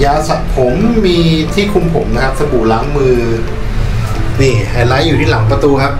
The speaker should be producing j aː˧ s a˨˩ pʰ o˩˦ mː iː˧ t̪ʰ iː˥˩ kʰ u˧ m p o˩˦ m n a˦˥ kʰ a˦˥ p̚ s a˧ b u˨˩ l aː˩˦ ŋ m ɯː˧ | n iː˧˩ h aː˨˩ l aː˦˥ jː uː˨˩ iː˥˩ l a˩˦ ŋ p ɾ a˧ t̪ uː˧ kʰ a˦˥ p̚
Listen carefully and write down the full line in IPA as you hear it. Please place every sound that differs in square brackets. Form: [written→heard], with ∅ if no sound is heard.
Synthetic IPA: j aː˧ s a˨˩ pʰ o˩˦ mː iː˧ t̪ʰ iː˥˩ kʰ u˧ m [p→pʰ] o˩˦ m n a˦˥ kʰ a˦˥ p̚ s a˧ b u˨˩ l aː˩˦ ŋ m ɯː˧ | n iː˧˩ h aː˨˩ l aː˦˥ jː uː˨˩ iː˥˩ l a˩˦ ŋ p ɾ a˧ t̪ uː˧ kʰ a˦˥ p̚

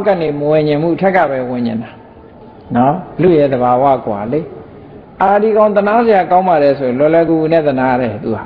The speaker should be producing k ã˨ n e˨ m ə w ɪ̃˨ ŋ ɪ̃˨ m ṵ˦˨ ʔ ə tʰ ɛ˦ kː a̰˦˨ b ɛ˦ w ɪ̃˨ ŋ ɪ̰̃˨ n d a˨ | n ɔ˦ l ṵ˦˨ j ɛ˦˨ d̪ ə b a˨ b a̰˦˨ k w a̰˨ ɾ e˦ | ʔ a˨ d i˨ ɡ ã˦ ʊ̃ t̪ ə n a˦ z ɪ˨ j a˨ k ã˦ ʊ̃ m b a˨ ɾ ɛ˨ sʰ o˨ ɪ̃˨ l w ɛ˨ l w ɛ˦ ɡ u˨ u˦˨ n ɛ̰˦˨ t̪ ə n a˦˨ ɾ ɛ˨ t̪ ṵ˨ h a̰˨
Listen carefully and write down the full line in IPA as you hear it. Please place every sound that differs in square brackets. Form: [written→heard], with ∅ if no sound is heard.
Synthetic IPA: k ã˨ n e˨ m ə w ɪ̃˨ [ŋ→ɲ] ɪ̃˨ m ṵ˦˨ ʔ ə tʰ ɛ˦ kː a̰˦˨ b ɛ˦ w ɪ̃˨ [ŋ→ɲ] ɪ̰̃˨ n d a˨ | n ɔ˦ l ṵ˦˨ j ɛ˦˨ d̪ ə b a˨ [b→w] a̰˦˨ k w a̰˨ [ɾ→l] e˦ | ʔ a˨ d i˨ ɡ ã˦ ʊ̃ t̪ ə n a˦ z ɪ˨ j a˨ k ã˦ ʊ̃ m b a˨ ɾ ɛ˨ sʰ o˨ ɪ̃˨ l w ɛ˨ l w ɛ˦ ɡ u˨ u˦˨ n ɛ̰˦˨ t̪ ə n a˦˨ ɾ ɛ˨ t̪ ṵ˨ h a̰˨

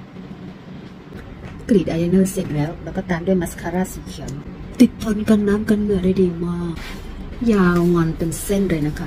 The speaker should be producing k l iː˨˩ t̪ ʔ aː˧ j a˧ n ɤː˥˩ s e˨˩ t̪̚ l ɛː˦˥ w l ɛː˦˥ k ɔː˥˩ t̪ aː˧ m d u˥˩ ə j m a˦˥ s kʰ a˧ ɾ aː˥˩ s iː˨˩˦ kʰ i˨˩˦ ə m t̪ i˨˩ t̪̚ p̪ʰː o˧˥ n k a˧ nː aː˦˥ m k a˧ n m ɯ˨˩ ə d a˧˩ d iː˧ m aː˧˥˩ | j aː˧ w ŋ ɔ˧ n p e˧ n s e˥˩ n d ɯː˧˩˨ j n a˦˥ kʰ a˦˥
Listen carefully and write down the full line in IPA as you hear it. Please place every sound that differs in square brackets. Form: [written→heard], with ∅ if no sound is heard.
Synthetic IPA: k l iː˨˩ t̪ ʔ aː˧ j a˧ n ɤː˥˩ s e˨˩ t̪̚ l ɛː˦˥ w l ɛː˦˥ k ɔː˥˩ t̪ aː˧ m d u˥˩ ə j m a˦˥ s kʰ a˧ ɾ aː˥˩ s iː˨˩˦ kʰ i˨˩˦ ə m t̪ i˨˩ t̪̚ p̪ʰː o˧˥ n k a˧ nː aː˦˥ m k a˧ n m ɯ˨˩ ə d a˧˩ d iː˧ m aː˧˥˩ | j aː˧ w ŋ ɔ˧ n p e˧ n s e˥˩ n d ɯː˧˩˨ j n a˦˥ kʰ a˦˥

